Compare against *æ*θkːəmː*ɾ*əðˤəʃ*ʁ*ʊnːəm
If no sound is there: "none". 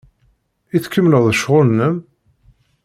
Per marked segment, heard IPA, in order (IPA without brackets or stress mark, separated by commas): i, l, ʁ